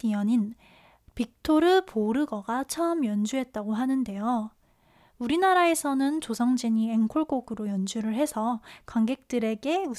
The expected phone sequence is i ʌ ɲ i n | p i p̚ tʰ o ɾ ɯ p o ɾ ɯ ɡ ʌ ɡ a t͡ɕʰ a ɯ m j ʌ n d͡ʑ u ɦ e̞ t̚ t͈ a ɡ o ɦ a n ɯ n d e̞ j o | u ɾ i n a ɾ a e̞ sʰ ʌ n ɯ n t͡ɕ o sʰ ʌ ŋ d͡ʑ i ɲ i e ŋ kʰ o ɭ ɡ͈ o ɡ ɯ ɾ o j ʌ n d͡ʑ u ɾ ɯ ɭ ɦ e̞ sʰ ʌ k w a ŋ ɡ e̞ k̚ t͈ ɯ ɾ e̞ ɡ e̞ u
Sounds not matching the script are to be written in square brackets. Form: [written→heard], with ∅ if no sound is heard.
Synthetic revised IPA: i ʌ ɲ i n | p i [p̚→k̚] tʰ o ɾ ɯ p o ɾ ɯ ɡ ʌ ɡ a t͡ɕʰ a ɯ m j ʌ n d͡ʑ u ɦ e̞ t̚ t͈ a ɡ o ɦ a n ɯ n d e̞ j o | u ɾ i n a ɾ a e̞ sʰ ʌ n ɯ n t͡ɕ o sʰ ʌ ŋ d͡ʑ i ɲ i e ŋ kʰ o ɭ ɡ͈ o ɡ ɯ ɾ o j ʌ n d͡ʑ u ɾ ɯ ɭ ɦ e̞ sʰ ʌ k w a ŋ ɡ e̞ k̚ t͈ ɯ ɾ e̞ ɡ e̞ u